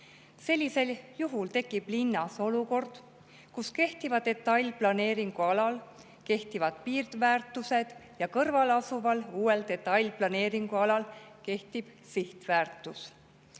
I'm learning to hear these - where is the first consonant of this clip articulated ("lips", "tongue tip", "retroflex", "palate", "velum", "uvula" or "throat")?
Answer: tongue tip